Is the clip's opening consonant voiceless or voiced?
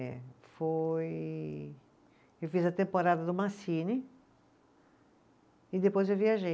voiceless